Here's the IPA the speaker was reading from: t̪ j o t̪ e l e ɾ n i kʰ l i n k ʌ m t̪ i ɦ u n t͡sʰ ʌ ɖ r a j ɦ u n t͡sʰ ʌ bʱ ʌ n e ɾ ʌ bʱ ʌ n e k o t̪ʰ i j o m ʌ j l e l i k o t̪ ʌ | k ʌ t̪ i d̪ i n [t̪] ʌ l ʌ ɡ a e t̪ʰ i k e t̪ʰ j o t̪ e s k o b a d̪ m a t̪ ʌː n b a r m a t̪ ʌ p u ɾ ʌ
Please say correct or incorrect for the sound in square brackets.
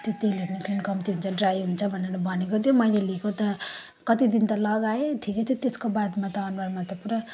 correct